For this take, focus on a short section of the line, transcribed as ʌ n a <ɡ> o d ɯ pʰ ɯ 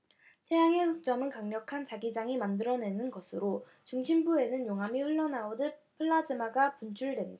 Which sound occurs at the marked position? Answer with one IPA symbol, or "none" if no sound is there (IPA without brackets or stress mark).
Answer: none